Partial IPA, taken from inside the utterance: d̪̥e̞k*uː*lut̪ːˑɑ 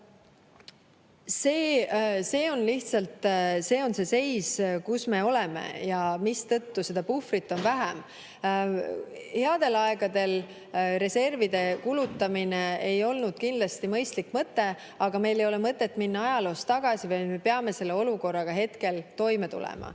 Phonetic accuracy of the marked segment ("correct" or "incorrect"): incorrect